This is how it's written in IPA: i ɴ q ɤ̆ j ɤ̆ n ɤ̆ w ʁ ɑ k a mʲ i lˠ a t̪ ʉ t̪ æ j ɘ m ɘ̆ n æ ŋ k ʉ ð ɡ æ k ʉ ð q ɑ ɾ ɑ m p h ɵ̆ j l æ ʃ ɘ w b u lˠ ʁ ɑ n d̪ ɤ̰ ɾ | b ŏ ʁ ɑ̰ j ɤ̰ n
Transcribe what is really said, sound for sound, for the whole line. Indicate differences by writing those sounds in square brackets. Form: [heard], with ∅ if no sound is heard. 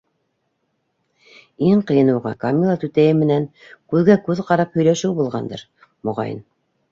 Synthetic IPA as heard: i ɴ q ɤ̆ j ɤ̆ n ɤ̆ w ʁ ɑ k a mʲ i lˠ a t̪ ʉ t̪ æ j ɘ m ɘ̆ n æ ŋ k ʉ ð ɡ æ k ʉ ð q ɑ ɾ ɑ [∅] p h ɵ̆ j l æ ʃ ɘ w b u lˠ ʁ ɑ n d̪ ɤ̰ ɾ | [m] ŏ ʁ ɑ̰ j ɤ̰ n

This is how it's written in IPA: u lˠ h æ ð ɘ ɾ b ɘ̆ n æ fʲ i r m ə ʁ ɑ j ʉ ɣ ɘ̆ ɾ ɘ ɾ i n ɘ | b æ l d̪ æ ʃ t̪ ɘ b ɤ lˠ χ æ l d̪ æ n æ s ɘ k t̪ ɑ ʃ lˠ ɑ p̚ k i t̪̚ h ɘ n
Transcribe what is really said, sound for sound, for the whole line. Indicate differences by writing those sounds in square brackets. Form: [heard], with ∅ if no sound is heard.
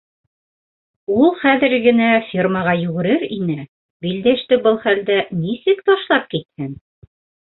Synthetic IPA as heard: u lˠ [χ] æ ð ɘ ɾ [ɡ] ɘ̆ n æ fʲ i r m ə ʁ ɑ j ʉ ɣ ɘ̆ ɾ ɘ ɾ i n ɘ | b [i] l d̪ æ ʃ t̪ ɘ b ɤ lˠ χ æ l d̪ æ n [i] s ɘ k t̪ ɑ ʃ lˠ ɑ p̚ k i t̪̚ h ɘ n

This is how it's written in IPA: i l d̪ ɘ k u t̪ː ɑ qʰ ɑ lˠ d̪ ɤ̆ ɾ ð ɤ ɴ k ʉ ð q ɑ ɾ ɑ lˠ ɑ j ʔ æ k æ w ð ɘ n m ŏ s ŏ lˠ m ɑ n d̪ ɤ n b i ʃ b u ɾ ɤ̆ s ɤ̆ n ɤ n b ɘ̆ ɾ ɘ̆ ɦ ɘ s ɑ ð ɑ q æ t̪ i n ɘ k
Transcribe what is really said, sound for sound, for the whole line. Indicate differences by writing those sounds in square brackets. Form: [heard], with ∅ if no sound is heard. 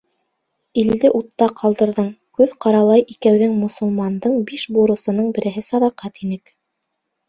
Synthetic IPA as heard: i l d̪ ɘ [ʔ] u t̪ː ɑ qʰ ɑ lˠ d̪ ɤ̆ ɾ ð ɤ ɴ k ʉ ð q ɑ ɾ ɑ lˠ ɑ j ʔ [i] k æ w ð ɘ [ŋ] m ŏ s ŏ lˠ m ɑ n d̪ ɤ [ɴ] b i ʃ b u ɾ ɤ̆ s ɤ̆ n ɤ [ɴ] b ɘ̆ ɾ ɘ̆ ɦ ɘ s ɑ ð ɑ q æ t̪ i n ɘ k

